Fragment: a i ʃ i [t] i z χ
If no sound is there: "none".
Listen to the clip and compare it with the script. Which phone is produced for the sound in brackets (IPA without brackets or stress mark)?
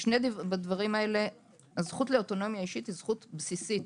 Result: t